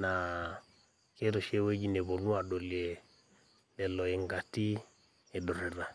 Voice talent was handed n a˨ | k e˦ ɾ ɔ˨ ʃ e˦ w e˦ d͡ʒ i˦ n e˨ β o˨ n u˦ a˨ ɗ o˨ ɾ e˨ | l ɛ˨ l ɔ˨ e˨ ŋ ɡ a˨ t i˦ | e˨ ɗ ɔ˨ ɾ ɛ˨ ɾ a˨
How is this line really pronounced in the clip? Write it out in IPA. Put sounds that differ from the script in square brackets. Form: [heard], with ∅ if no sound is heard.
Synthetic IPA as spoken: n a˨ | k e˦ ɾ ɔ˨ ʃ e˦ w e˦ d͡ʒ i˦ n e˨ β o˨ n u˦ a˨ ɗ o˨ [l] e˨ | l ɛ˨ l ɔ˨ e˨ ŋ ɡ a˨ t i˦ | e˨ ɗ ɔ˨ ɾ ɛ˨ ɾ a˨